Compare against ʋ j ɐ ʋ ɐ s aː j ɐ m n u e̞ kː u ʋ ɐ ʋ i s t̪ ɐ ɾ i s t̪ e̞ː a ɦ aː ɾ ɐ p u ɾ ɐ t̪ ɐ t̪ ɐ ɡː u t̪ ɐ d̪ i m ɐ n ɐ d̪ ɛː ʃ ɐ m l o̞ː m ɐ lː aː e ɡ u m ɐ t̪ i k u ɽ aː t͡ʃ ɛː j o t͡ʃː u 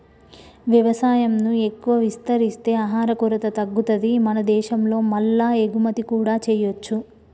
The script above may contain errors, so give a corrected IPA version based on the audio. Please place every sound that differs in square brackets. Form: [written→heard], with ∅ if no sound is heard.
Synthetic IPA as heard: ʋ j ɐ ʋ ɐ s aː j ɐ m n u e̞ kː u ʋ ɐ ʋ i s t̪ ɐ ɾ i s t̪ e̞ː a ɦ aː ɾ ɐ [p→k] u ɾ ɐ t̪ ɐ t̪ ɐ ɡː u t̪ ɐ d̪ i m ɐ n ɐ d̪ ɛː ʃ ɐ m l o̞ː m ɐ lː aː e ɡ u m ɐ t̪ i k [u→uː] ɽ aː t͡ʃ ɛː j o t͡ʃː u